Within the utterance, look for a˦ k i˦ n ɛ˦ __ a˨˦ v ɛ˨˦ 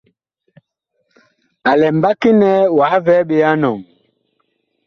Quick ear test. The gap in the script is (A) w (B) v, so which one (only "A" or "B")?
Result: A